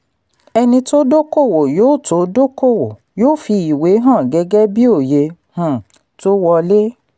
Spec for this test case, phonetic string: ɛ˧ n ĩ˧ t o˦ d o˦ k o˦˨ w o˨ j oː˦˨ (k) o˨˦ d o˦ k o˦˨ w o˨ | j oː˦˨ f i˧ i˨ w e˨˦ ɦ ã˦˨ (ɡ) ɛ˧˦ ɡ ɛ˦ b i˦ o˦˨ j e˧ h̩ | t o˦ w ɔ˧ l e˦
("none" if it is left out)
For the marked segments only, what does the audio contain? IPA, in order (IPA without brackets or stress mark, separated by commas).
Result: t, ɡ